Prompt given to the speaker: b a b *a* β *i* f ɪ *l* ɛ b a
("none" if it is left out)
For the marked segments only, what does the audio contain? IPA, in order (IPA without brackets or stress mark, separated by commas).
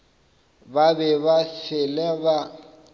ɛ, a, l